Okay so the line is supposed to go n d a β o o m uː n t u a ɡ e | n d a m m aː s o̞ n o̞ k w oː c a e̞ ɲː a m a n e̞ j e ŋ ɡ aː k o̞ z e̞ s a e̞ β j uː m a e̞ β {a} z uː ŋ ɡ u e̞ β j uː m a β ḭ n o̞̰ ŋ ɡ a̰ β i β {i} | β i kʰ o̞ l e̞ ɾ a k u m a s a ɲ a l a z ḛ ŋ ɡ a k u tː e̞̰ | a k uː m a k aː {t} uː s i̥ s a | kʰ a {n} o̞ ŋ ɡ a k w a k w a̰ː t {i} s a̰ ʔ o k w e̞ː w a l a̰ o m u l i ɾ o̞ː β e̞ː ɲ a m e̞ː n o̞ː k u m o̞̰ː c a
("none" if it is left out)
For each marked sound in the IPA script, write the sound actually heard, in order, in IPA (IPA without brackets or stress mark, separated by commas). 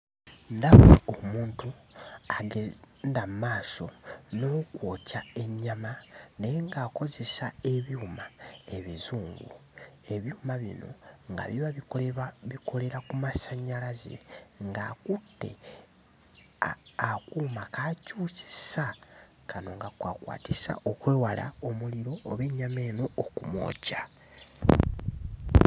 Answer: i, a, c, n, i